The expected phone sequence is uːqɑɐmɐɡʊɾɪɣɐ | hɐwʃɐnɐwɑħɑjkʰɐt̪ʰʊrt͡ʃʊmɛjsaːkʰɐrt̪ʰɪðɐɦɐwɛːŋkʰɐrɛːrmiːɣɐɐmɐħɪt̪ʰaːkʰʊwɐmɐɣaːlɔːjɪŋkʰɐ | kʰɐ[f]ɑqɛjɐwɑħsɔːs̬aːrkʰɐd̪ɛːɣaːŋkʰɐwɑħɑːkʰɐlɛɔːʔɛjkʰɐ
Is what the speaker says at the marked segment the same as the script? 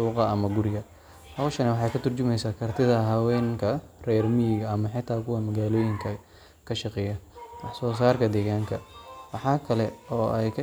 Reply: no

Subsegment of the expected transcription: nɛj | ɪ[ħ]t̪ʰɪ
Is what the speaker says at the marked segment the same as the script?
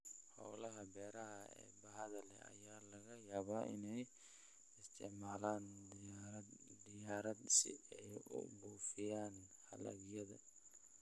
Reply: no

